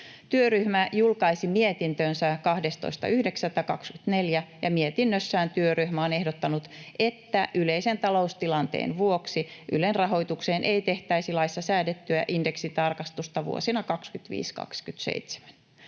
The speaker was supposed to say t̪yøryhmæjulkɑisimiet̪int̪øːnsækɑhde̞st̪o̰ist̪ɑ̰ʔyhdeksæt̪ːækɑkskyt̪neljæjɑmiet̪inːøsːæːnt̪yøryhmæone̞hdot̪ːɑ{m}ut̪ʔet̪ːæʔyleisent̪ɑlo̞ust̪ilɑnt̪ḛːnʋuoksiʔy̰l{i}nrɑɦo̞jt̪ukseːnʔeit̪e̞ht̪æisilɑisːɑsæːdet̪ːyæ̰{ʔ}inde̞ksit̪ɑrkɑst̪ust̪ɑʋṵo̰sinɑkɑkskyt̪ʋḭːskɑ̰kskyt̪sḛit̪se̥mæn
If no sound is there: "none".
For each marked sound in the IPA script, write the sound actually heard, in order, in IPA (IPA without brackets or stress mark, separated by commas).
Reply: n, e, ʔ